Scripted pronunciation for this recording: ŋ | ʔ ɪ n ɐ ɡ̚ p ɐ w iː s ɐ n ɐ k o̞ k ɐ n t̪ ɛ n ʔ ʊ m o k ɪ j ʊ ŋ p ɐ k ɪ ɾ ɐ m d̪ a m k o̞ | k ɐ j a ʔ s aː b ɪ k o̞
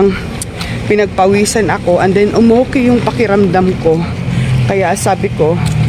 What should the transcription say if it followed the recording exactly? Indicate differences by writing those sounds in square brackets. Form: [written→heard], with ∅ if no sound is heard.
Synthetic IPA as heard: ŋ | [ʔ→p] ɪ n ɐ ɡ̚ p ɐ w iː s ɐ n ɐ k o̞ [k→ʔ] ɐ n [t̪→d̪] ɛ n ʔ ʊ m o k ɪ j ʊ ŋ p ɐ k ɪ ɾ ɐ m d̪ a m k o̞ | k ɐ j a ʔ s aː b ɪ k o̞